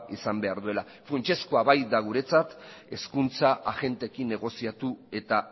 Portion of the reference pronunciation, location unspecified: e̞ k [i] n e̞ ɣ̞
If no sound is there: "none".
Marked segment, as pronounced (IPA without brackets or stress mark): i